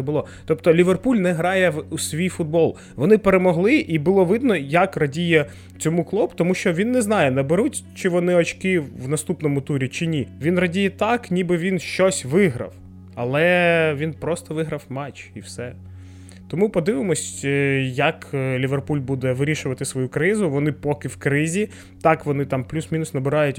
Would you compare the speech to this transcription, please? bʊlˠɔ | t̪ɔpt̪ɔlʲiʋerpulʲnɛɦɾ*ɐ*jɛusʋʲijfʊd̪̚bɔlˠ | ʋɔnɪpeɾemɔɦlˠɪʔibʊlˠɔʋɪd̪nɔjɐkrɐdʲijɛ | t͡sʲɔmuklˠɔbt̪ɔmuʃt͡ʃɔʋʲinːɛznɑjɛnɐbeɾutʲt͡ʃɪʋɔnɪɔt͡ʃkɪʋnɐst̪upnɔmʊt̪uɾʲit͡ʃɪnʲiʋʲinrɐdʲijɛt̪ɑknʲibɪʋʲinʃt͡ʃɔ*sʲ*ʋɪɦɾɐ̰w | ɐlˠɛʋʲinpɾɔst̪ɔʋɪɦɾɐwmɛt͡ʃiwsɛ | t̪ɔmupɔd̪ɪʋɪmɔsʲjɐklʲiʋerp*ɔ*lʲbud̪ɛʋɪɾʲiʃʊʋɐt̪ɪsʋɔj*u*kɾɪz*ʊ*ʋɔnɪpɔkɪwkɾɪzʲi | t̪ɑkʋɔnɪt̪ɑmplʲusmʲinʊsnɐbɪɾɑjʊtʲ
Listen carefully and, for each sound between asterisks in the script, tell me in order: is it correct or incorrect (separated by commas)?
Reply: incorrect, correct, incorrect, correct, correct